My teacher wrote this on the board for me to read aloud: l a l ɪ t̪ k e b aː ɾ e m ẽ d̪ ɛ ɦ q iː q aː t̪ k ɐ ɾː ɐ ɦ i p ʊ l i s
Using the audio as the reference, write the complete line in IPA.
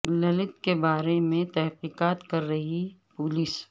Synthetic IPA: l ɐ l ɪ t̪ k e b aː ɾ e m ẽ t̪ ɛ ɦ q iː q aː t̪ k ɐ ɾː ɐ ɦ i p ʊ l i s